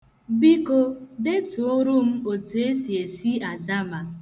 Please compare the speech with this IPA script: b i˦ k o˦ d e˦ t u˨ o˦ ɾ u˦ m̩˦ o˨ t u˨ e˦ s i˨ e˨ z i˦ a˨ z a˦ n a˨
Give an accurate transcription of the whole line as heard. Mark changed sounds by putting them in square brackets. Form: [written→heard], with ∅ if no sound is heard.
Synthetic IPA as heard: b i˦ k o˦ d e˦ t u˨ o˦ ɾ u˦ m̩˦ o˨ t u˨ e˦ s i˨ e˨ [z→s] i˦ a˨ z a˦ [n→m] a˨